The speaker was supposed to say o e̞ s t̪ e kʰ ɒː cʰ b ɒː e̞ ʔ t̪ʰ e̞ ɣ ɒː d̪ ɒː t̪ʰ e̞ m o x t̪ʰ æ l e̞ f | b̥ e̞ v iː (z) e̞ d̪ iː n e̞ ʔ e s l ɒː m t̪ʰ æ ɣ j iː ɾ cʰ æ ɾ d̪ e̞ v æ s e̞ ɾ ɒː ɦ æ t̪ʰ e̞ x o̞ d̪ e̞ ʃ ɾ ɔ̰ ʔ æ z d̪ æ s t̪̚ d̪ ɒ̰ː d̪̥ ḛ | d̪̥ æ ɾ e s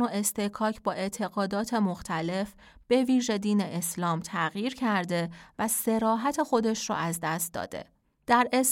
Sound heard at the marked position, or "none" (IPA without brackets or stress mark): ʒ